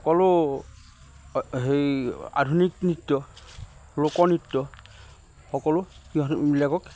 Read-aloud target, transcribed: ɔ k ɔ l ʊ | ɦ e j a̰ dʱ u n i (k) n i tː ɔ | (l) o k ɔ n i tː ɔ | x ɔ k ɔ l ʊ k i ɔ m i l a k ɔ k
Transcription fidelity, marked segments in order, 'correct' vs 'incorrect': correct, correct

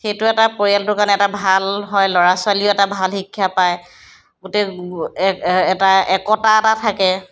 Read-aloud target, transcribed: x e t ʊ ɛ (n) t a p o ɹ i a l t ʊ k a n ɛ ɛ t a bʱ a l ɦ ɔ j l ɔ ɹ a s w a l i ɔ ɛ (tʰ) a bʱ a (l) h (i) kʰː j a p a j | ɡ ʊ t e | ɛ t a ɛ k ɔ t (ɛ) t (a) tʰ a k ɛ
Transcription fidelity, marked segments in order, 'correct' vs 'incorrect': incorrect: none, incorrect: t, correct, correct, incorrect: a, correct

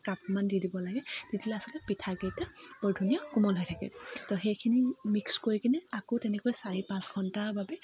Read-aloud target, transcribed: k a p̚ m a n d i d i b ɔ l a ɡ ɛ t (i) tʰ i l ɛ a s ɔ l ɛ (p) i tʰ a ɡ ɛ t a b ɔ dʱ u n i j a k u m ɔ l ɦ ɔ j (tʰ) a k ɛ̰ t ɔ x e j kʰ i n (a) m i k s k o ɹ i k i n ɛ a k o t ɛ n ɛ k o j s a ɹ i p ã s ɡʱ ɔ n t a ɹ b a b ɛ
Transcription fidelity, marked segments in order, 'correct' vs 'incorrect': correct, correct, correct, incorrect: i

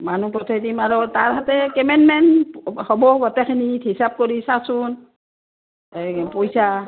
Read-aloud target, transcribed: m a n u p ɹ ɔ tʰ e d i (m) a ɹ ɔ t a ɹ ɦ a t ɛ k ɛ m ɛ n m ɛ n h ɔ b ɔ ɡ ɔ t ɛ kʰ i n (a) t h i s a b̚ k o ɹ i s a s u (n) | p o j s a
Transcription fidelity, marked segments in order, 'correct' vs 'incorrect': correct, incorrect: i, correct

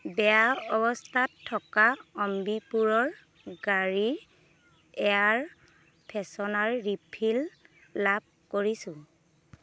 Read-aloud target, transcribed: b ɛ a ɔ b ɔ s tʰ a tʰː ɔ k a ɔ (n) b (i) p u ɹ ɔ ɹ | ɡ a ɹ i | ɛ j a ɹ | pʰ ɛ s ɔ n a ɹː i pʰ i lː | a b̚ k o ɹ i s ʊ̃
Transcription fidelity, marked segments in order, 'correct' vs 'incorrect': incorrect: m, correct

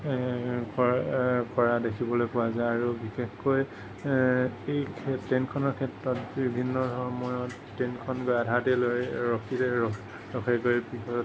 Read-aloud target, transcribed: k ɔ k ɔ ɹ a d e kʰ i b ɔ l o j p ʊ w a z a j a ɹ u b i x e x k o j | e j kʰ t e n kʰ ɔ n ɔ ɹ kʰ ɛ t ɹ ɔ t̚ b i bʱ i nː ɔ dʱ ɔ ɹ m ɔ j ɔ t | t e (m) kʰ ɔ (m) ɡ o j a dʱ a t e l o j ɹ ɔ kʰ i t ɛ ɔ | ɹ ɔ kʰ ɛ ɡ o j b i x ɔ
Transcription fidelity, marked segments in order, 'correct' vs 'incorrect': incorrect: n, incorrect: n

